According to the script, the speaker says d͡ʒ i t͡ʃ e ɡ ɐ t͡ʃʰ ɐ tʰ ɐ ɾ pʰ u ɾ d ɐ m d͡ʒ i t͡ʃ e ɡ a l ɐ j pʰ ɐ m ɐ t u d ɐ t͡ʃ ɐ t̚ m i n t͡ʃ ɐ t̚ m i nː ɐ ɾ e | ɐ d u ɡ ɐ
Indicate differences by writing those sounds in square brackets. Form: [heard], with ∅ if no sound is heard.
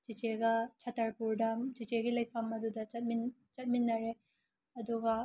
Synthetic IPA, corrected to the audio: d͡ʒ i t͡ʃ e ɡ ɐ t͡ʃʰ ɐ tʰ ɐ ɾ [p] u ɾ d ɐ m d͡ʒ i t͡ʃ e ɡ [i] l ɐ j pʰ ɐ m ɐ [d] u d ɐ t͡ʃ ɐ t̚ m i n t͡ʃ ɐ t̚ m i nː ɐ ɾ e | ɐ d u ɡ ɐ